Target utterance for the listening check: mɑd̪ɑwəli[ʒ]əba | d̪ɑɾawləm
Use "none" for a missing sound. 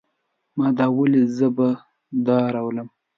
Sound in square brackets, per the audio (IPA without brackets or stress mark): z